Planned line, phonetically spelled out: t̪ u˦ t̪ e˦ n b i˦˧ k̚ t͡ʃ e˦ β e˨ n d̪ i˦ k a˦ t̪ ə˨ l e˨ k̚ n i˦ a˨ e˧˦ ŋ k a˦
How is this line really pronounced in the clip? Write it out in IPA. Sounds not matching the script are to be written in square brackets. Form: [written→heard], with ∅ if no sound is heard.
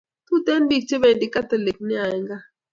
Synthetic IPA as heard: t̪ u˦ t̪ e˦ n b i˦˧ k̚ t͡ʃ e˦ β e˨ n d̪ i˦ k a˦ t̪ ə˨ l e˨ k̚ n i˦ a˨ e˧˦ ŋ [k→ɡ] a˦